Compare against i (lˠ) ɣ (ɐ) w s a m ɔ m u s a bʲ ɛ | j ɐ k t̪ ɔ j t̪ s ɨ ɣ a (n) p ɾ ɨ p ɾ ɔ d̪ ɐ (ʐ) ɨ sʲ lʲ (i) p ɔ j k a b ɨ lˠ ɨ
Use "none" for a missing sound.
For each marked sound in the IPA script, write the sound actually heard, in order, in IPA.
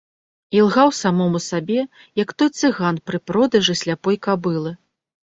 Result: lˠ, a, n, ʐ, a

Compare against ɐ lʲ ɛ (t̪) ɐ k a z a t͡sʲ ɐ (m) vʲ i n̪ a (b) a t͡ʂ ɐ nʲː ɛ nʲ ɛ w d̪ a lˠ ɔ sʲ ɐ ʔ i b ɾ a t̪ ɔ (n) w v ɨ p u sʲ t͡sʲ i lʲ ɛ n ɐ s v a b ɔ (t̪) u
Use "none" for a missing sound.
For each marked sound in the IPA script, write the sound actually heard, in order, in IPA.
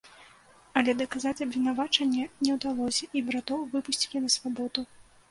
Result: d̪, b, v, none, d̪

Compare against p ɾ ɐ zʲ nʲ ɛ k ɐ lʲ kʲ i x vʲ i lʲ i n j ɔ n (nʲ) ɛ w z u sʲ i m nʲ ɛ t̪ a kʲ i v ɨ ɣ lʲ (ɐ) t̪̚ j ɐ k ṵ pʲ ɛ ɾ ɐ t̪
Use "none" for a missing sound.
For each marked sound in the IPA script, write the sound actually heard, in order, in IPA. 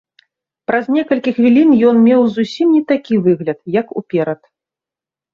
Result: mʲ, ɐ

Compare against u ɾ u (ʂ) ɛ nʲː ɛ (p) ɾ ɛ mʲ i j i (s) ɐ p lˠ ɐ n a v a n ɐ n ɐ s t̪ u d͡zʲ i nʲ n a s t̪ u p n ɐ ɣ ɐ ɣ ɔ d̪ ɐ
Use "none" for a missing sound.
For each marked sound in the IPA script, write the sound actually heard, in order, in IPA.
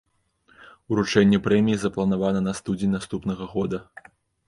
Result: t͡ʂ, p, z

